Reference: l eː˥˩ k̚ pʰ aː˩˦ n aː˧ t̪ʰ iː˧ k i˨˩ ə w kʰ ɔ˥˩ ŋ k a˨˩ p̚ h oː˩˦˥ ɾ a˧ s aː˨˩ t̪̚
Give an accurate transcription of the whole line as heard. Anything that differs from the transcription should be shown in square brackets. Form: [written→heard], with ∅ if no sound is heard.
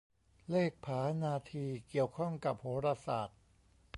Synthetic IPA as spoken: l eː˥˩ k̚ pʰ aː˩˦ n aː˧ t̪ʰ iː˧ k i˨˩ ə w kʰ ɔ˥˩ ŋ k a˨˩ p̚ h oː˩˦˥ ɾ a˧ s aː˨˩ t̪̚